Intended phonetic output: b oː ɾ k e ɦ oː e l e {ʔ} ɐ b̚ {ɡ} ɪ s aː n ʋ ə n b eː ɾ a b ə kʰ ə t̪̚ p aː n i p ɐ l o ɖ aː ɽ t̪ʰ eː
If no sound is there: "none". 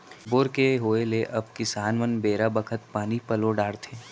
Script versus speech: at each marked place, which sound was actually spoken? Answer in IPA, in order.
ʔ, k

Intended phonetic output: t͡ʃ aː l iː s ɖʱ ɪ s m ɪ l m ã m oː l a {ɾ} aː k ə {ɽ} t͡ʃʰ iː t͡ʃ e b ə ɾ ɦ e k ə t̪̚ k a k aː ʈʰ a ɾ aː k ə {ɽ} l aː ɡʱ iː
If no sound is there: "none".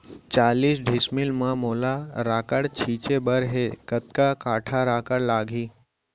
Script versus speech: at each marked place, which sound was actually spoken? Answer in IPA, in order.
ɾ, ɽ, ɽ

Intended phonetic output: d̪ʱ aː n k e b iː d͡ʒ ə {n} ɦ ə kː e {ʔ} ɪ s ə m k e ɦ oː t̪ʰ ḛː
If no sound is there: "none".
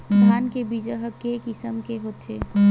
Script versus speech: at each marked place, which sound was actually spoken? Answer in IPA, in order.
none, k

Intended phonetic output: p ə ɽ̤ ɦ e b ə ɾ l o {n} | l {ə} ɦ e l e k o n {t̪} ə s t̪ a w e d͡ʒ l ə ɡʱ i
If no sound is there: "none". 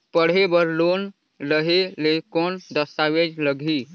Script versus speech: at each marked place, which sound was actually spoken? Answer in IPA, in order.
n, ə, d̪

